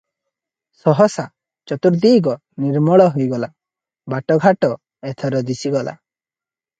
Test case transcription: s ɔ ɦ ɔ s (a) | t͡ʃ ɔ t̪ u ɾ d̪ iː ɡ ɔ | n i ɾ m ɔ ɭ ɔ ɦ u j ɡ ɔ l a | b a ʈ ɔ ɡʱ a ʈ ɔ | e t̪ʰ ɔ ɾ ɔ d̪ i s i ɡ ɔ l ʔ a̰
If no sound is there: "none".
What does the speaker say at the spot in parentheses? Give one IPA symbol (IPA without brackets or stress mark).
a